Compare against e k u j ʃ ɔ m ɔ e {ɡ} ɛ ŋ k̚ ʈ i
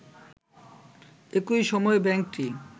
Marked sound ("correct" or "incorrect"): incorrect